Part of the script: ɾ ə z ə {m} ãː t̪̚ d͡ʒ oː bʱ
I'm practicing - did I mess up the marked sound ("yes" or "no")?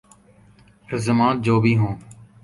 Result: no